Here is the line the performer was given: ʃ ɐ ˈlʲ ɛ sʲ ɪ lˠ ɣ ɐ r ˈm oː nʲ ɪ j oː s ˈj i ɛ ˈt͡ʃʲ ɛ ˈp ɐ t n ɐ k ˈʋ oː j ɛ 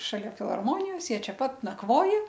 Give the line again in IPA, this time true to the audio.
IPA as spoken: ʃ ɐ ˈlʲ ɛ fʲ ɪ lˠ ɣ ɐ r ˈm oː nʲ ɪ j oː s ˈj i ɛ ˈt͡ʃʲ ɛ ˈp ɐ t n ɐ k ˈʋ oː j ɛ